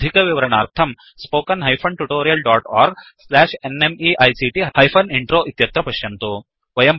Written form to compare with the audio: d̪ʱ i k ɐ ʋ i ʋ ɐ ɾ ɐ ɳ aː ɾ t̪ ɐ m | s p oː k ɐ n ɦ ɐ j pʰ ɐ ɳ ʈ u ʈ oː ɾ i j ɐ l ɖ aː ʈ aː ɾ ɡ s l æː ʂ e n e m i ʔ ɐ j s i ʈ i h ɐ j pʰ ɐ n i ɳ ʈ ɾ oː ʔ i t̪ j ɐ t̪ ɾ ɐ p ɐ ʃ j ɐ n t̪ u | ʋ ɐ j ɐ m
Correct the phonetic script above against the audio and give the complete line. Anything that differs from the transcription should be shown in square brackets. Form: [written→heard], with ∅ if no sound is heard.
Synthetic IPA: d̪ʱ i k ɐ ʋ i ʋ ɐ ɾ ɐ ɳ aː ɾ [t̪→t̪ʰ] ɐ m | s p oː k ɐ n ɦ ɐ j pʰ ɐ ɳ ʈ u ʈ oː ɾ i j ɐ l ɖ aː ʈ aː ɾ ɡ s l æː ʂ e n e m i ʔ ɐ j s i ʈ i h ɐ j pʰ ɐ n i ɳ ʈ ɾ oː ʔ i t̪ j ɐ t̪ ɾ ɐ p ɐ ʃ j ɐ n t̪ u | ʋ ɐ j ɐ m